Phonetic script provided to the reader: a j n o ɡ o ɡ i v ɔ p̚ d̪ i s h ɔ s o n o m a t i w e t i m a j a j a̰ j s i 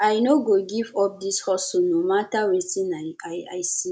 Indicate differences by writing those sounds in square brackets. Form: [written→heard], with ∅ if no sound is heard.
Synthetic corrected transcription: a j n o ɡ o ɡ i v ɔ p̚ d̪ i s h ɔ s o n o m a t [i→a] w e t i [m→n] a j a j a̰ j s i